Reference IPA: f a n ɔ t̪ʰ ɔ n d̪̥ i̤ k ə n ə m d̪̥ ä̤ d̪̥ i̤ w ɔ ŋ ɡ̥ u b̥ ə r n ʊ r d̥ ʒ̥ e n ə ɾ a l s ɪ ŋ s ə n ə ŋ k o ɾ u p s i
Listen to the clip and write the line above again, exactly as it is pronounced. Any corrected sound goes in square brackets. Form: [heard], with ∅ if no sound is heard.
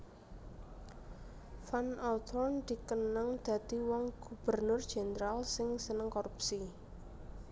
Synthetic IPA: f a n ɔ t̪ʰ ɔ n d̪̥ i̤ k ə n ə [ŋ] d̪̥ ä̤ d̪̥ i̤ w ɔ ŋ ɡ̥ u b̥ ə r n ʊ r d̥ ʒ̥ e n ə ɾ a l s ɪ ŋ s ə n ə ŋ k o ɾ u p s i